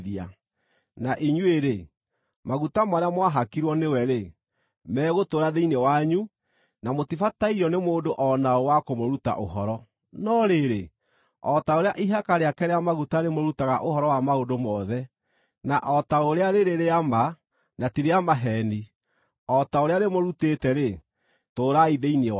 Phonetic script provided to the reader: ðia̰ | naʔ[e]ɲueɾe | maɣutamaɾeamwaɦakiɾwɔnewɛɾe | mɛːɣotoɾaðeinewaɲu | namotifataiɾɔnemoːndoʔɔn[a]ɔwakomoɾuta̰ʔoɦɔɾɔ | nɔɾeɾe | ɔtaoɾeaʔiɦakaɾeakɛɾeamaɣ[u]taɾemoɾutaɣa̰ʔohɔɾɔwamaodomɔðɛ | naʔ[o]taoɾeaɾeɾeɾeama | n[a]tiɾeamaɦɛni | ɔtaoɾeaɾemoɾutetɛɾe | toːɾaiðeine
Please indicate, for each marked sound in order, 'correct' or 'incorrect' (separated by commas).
incorrect, correct, correct, incorrect, correct